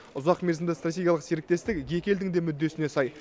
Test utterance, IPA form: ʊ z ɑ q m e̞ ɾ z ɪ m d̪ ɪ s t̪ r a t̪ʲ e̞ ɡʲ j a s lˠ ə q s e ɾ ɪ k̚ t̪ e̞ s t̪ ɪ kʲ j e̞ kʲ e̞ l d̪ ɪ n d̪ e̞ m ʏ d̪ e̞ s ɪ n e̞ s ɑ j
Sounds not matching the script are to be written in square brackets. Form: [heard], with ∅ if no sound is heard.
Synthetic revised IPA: ʊ z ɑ q m e̞ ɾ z ɪ m d̪ ɪ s t̪ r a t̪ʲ e̞ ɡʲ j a [∅] lˠ ə q s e ɾ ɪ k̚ t̪ e̞ s t̪ ɪ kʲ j e̞ kʲ e̞ l d̪ ɪ [ŋ] d̪ e̞ m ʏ [d̪ː] e̞ s ɪ n e̞ s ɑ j